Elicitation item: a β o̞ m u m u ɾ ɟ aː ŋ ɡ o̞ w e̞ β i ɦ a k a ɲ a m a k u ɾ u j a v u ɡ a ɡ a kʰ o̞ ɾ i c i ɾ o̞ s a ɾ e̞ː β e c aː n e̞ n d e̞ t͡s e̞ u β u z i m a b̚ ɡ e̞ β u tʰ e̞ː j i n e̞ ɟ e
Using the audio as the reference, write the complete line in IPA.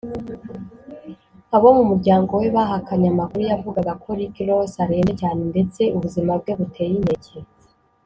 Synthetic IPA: a β o̞ m u m u ɾ ɟ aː ŋ ɡ o̞ w e̞ β a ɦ a k a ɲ a m a k u ɾ u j a v u ɡ a ɡ a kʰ o̞ ɾ i k i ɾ o̞ s a ɾ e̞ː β e c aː n e̞ n d e̞ t͡s e̞ u β u z i m a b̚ ɡ e̞ β u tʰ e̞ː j i n e̞ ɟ e